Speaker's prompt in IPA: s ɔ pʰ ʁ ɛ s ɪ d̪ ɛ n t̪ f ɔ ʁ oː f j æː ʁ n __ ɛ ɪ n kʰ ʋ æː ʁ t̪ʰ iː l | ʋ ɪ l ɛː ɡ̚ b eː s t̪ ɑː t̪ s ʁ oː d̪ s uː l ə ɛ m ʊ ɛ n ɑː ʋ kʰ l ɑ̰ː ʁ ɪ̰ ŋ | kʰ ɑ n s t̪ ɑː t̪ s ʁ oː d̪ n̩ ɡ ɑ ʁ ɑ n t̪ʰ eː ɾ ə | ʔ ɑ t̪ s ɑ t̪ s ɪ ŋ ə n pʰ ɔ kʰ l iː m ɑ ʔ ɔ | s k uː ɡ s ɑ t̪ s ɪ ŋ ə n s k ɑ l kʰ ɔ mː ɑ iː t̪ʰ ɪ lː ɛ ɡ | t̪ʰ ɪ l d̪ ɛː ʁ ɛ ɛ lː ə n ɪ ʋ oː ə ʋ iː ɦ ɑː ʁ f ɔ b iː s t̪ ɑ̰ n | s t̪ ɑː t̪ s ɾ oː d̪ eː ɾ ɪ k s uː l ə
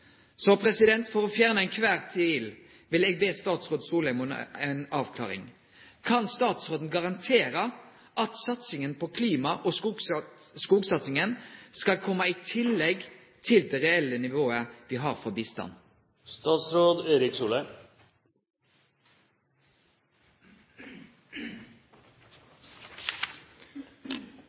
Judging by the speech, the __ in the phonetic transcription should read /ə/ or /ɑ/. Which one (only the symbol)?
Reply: ə